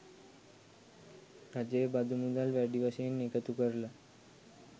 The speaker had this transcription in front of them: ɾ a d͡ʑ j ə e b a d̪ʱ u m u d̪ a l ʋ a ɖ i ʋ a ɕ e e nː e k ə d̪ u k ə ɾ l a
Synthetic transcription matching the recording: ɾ a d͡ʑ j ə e b a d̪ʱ u m u d̪ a l ʋ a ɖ i ʋ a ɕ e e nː e k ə t̪ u k ə ɾ l a